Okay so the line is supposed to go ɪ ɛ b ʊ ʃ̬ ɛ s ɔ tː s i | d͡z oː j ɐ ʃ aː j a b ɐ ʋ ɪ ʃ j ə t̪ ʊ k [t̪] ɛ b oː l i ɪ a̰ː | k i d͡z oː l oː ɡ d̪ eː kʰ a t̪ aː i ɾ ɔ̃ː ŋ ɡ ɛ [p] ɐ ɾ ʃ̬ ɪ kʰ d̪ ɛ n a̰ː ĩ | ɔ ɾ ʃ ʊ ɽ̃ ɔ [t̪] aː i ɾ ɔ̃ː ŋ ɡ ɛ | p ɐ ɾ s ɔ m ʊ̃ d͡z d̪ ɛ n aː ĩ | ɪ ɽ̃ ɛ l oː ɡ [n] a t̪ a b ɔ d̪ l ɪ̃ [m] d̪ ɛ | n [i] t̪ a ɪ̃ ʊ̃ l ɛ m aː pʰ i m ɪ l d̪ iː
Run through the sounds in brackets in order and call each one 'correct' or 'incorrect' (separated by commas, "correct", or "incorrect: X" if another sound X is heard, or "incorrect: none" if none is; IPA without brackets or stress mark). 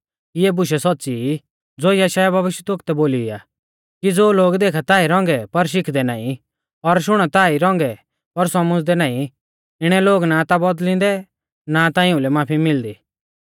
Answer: correct, correct, correct, correct, incorrect: n, incorrect: a